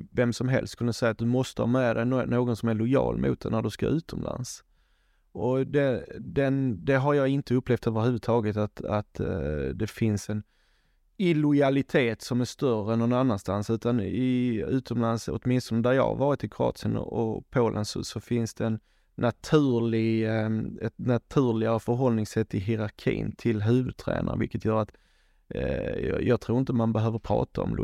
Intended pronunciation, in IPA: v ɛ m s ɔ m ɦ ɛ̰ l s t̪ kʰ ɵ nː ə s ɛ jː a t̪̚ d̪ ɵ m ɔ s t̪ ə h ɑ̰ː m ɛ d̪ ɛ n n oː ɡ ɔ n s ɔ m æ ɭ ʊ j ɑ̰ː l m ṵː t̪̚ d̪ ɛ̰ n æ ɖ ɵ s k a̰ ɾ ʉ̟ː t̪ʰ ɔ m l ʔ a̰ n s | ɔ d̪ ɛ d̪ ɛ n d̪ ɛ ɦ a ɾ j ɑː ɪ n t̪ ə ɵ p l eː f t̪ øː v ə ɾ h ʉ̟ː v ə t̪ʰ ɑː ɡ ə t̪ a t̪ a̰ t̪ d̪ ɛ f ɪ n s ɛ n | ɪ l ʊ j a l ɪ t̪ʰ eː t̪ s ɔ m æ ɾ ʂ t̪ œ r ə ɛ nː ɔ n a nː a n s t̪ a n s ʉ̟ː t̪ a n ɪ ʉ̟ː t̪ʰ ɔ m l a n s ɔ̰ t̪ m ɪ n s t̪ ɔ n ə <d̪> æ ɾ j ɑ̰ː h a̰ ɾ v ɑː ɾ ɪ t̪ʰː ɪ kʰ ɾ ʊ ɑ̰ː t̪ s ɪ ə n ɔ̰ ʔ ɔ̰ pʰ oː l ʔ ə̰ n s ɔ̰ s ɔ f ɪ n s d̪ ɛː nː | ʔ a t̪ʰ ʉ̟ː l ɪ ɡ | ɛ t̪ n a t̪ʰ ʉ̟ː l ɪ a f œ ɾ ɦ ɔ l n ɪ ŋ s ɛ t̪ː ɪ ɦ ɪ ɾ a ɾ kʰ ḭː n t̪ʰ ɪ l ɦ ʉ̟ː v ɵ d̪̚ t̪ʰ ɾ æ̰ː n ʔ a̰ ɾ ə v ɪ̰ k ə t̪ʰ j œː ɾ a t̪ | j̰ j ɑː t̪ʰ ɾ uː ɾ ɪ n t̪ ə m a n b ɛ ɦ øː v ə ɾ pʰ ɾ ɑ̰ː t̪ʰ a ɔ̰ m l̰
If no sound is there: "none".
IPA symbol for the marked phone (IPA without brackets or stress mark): d̪